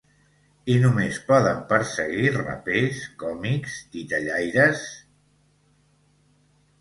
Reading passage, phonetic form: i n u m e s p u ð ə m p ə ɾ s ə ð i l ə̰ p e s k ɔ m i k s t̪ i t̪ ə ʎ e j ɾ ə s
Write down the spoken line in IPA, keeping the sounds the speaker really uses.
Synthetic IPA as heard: i n u m e s p ɔ ð ə m p ə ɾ s ə ɣ i r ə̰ p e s k ɔ m i k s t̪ i t̪ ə ʎ a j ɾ ə s